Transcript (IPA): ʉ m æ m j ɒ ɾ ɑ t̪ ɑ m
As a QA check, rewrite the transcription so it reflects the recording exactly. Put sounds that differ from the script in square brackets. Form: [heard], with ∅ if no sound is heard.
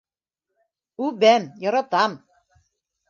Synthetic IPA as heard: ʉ [b] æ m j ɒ ɾ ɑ t̪ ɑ m